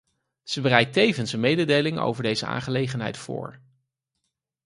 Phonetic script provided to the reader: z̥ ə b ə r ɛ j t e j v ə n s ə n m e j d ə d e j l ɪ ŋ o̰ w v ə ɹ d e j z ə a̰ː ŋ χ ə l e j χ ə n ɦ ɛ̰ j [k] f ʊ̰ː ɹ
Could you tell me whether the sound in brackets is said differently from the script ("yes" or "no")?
yes